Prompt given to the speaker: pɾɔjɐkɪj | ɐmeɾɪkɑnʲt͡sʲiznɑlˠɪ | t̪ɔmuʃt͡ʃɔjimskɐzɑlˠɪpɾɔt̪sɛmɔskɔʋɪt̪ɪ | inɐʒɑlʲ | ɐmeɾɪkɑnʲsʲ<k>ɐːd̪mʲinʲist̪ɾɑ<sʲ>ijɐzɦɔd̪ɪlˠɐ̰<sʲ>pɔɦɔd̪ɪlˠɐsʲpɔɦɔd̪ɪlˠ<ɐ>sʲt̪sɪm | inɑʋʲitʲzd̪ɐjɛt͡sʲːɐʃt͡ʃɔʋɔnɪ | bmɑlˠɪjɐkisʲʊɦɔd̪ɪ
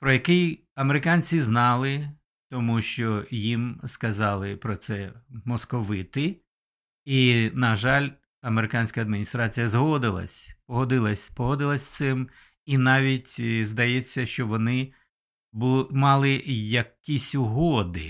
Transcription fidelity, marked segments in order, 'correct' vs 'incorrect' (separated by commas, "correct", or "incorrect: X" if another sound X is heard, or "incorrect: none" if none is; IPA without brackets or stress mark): correct, incorrect: t͡sʲ, correct, correct